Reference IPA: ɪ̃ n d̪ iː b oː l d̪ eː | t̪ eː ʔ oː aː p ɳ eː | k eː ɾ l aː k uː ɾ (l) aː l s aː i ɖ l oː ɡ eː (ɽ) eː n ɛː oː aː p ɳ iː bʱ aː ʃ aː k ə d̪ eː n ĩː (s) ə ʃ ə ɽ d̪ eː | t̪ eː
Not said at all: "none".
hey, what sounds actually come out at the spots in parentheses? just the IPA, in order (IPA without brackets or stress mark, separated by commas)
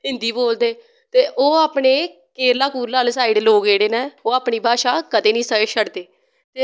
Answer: l, ɽ, s